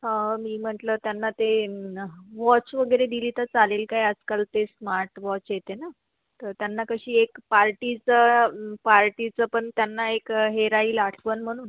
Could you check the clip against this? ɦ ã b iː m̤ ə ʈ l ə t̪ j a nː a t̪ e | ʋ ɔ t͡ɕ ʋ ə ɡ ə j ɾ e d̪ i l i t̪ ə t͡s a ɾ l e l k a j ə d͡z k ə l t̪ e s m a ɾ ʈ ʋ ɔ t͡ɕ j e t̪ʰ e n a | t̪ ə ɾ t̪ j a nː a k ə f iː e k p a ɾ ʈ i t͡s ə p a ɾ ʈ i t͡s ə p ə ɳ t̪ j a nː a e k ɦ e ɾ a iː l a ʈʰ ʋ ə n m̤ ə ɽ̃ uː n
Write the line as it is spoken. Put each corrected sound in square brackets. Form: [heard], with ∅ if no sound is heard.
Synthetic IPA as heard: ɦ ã [m] iː m̤ ə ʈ l ə t̪ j a nː a t̪ e | ʋ ɔ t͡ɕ ʋ ə ɡ ə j ɾ e d̪ i l i t̪ ə t͡s a [∅] l e l k a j ə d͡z k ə l t̪ e s m a ɾ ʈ ʋ ɔ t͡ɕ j e [t̪] e n a | t̪ ə ɾ t̪ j a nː a k ə [ɕ] iː e k p a ɾ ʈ i t͡s ə p a ɾ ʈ i t͡s ə p ə ɳ t̪ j a nː a e k ɦ e ɾ a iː l a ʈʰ ʋ ə n m̤ ə ɽ̃ uː n